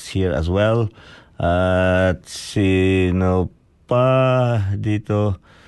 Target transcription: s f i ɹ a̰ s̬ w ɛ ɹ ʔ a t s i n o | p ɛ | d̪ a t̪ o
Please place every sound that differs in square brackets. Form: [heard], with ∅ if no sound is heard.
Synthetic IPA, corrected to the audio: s [h] i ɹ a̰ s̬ w ɛ [l] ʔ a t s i n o | p [a] | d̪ [i] t̪ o